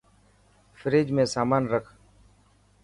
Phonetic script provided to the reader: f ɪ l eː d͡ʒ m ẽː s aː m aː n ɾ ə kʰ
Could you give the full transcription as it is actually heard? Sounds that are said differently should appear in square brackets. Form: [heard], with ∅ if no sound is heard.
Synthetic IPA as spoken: f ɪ [ɾ] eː d͡ʒ m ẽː s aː m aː n ɾ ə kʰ